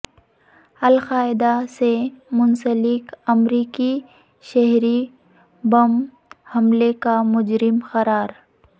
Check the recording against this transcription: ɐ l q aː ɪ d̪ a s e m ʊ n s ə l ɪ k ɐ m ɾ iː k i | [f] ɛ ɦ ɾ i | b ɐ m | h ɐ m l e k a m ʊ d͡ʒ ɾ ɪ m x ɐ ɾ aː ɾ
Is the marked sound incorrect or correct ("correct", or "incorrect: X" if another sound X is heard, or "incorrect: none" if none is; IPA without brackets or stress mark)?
incorrect: ʃ